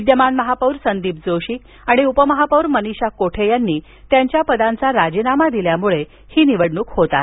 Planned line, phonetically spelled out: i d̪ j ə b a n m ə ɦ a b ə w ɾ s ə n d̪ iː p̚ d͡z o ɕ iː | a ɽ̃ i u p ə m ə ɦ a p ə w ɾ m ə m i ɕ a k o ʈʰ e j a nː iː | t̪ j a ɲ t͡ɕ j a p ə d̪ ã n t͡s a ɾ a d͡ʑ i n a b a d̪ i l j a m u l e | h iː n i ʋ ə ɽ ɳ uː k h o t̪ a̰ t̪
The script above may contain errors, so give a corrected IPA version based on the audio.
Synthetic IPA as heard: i d̪ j ə m a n m ə ɦ a p ə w ɾ s ə n d̪ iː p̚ d͡z o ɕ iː | a ɽ̃ i u p ə m ə ɦ a p ə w ɾ m ə n i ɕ a k o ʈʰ e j a nː iː | t̪ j a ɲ t͡ɕ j a p ə d̪ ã n t͡s a ɾ a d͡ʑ i n a m a d̪ i l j a m u ɭ e | h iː n i ʋ ə ɽ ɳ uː k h o t̪ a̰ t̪